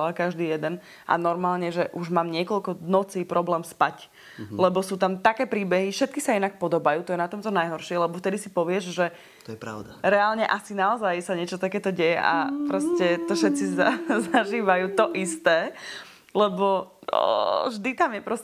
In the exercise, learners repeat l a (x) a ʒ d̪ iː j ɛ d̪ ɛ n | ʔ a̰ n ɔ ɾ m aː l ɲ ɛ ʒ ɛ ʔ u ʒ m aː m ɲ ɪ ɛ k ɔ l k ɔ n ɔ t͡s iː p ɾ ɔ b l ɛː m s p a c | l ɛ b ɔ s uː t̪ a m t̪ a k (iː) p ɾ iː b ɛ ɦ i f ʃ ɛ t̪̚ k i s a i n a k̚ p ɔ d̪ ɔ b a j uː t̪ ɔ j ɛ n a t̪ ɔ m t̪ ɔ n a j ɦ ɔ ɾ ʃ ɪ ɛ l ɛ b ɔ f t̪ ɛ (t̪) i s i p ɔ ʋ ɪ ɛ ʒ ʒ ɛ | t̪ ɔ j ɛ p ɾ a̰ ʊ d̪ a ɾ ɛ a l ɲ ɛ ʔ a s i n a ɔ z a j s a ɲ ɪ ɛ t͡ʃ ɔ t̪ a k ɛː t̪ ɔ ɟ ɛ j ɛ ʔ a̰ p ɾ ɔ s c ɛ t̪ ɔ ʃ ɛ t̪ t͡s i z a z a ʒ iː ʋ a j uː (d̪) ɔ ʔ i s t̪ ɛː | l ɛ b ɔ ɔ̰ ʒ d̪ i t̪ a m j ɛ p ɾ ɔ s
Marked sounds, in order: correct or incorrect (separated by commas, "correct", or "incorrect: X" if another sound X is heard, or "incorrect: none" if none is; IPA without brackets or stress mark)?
incorrect: k, incorrect: ɛː, incorrect: d̪, incorrect: t̪